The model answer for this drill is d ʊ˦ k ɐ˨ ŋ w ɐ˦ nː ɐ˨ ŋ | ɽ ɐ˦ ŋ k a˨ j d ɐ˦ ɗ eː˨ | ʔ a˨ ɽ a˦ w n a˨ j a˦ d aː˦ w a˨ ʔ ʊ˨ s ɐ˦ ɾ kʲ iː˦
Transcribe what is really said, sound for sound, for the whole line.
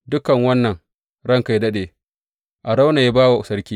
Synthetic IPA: d ʊ˦ k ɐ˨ ŋ w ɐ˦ nː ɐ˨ ŋ | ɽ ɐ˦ ŋ k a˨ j d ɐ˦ ɗ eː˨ | ʔ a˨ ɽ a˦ w n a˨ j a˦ b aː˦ w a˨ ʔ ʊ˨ s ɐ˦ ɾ kʲ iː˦

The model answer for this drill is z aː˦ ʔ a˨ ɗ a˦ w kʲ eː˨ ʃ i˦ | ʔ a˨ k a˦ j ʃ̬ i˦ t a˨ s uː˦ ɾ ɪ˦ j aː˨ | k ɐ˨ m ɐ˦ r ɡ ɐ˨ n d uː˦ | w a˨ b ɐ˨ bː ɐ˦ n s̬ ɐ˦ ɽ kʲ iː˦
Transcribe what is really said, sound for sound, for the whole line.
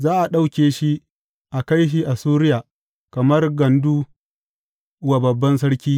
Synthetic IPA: z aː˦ ʔ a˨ ɗ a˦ w kʲ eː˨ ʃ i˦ | ʔ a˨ k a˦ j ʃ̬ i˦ ʔ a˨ s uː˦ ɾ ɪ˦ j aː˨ | k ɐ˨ m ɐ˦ r ɡ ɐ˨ n d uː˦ | w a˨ b ɐ˨ bː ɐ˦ n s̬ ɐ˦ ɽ kʲ iː˦

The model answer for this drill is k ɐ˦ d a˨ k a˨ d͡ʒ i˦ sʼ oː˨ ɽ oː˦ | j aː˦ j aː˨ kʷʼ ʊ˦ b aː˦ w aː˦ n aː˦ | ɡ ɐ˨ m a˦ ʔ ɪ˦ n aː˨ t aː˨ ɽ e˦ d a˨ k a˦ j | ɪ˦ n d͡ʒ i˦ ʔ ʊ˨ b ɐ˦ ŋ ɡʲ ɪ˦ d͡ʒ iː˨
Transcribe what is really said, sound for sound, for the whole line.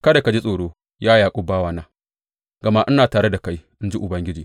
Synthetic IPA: k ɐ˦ d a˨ k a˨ d͡ʒ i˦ sʼ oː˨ ɽ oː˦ | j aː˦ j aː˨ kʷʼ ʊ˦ b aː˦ w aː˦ n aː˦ | ɡ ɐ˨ m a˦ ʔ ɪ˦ n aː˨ t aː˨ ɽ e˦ d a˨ k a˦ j | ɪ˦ n d͡ʒ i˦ ʔ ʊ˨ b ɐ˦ ŋ ɡʲ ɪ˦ d͡ʒ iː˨

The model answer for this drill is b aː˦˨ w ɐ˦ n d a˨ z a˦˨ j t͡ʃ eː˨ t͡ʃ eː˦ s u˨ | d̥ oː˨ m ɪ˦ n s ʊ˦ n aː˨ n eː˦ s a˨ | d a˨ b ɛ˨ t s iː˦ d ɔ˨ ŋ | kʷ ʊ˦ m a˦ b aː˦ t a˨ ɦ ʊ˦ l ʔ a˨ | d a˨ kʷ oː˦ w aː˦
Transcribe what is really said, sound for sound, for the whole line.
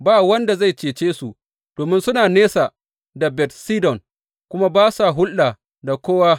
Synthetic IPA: b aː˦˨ w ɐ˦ n d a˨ z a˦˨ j t͡ʃ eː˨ t͡ʃ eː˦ s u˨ | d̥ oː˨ m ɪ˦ n s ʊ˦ n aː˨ n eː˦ s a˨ | d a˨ b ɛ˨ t s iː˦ d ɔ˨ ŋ | kʷ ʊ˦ m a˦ b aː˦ s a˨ ɦ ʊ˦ l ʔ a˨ | d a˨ kʷ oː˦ w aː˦

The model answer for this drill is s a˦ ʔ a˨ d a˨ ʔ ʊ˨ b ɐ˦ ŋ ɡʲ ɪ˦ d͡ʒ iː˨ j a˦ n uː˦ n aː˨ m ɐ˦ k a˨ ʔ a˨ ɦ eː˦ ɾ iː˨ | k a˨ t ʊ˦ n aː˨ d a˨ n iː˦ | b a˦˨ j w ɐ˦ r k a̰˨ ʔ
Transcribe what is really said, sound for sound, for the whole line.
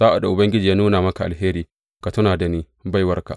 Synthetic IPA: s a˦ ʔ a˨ d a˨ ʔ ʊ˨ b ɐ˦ ŋ ɡʲ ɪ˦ d͡ʒ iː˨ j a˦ n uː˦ n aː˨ m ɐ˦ k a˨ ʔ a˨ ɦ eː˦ ɾ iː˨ | k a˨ t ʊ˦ n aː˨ d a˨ n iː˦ | b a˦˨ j w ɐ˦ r k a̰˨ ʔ

